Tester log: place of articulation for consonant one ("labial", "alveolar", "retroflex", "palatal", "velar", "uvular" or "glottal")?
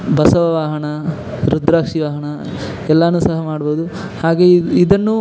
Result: labial